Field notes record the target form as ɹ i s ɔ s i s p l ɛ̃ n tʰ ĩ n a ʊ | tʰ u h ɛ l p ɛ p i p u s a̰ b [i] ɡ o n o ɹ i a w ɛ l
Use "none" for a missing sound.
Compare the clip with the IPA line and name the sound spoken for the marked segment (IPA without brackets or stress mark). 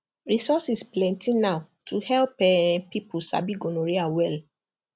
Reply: i